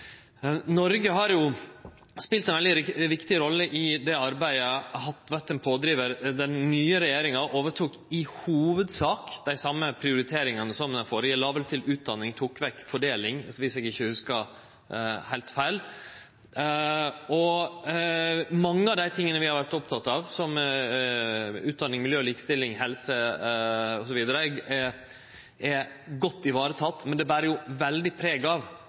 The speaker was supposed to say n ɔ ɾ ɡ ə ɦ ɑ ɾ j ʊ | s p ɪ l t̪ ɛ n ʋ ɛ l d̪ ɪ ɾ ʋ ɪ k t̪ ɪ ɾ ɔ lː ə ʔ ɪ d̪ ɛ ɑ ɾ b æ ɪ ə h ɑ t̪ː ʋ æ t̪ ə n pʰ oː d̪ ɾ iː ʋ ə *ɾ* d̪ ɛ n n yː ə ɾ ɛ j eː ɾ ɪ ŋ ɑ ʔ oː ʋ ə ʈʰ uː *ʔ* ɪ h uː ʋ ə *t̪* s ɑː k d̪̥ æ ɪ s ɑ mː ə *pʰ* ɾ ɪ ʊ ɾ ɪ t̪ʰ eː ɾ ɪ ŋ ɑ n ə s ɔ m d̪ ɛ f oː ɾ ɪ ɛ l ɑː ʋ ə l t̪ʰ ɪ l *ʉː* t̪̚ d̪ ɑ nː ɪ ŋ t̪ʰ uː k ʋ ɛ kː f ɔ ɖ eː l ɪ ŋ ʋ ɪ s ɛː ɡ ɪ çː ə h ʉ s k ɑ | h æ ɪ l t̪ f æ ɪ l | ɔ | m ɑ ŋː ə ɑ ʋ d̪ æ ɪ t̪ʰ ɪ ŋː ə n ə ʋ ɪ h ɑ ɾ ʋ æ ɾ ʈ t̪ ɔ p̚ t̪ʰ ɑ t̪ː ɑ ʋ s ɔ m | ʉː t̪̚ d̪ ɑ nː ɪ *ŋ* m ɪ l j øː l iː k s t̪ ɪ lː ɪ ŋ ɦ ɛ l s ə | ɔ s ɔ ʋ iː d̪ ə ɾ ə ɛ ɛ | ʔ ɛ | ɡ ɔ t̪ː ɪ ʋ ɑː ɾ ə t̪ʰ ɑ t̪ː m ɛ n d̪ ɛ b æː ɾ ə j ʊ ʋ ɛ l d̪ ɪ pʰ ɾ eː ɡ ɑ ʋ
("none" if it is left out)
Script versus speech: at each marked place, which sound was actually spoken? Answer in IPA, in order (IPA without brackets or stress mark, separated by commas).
ɾ, k, d̪, pʰ, ʉː, ŋ